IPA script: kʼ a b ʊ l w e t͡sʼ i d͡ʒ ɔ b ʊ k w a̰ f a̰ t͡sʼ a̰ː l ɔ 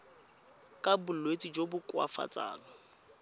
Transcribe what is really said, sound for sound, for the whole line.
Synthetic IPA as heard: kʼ a b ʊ l w e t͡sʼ i d͡ʒ o b ʊ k w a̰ f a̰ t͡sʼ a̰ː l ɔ